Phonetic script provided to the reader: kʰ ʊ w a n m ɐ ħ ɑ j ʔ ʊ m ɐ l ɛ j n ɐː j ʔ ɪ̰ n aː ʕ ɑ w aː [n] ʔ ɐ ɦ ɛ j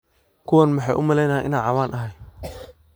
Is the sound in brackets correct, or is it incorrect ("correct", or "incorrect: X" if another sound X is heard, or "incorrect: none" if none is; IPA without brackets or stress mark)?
correct